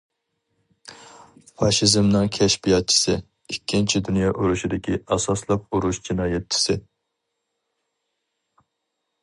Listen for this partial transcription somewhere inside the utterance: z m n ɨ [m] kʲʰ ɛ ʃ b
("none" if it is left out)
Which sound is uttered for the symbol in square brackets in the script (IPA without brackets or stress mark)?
ŋ